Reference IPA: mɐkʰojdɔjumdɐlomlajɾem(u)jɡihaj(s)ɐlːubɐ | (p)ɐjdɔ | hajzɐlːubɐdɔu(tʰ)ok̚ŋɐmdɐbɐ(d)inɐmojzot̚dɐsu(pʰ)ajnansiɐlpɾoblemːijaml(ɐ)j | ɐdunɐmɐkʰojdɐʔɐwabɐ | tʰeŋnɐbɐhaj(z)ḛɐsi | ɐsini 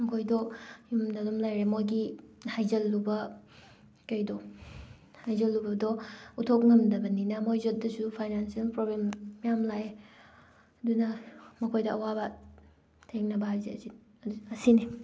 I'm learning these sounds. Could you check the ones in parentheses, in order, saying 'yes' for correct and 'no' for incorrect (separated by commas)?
no, no, no, yes, no, yes, no, yes